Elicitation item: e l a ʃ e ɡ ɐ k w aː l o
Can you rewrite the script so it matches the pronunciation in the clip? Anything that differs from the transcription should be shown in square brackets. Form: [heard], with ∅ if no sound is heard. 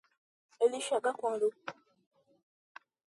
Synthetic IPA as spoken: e l [i] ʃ [a] ɡ [a] k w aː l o